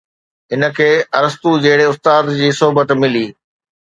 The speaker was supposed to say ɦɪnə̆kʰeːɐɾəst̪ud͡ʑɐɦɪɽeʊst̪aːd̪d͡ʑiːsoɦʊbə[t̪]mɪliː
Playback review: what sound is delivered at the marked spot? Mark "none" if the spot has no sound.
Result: t̪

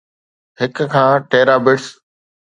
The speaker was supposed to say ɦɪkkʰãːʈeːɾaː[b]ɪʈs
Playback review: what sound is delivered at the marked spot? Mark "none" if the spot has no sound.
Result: b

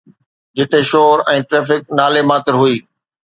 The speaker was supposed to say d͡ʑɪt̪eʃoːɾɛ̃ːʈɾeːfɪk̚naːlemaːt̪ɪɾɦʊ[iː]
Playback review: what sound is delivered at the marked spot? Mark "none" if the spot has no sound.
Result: iː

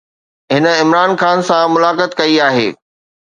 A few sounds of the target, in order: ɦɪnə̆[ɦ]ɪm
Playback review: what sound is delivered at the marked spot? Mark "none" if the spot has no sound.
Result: none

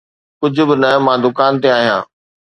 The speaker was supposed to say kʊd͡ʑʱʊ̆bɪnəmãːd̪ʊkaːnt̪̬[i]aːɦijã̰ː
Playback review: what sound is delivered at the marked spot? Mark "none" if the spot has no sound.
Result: e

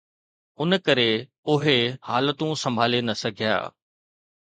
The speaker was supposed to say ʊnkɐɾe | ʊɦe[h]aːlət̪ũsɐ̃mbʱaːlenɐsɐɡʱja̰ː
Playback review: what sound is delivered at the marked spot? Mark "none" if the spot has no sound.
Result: h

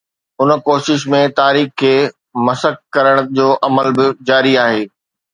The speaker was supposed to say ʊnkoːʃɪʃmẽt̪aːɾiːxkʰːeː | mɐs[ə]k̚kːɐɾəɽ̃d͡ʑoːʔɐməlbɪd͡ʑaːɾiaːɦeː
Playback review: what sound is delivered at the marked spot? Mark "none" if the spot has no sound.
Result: ə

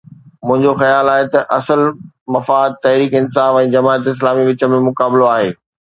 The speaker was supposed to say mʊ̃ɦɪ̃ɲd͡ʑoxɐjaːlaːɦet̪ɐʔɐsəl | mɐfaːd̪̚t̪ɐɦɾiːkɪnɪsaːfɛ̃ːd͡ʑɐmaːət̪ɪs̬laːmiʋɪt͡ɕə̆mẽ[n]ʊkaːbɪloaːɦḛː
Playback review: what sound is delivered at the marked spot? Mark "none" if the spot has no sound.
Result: m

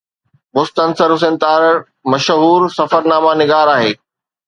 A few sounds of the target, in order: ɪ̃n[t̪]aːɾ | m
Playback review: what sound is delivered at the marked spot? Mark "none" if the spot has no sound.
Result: t̪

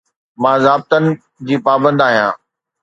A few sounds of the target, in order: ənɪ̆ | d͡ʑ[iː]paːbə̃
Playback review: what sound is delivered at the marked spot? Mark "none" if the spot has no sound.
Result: iː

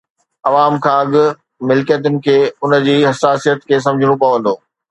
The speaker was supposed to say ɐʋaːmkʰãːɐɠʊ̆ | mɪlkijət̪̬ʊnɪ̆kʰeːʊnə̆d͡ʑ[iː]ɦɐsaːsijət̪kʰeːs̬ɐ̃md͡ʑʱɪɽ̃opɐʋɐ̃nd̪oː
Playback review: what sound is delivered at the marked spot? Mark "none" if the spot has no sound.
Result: iː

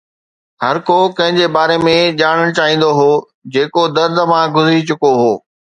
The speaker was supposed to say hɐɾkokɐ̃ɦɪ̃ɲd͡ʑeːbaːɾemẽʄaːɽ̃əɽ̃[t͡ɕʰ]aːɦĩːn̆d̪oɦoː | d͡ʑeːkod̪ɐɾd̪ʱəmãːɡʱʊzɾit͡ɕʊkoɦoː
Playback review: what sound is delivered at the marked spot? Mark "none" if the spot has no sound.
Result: t͡ɕ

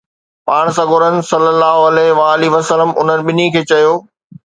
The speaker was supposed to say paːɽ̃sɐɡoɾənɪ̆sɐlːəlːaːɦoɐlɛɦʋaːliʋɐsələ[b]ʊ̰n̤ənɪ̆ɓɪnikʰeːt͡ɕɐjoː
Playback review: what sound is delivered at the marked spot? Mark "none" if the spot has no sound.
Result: m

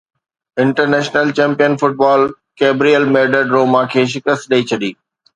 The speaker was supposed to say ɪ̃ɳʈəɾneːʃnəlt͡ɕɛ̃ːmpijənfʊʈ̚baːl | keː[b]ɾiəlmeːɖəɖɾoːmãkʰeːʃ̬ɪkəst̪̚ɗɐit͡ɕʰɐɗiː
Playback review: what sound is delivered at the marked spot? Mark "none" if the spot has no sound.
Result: b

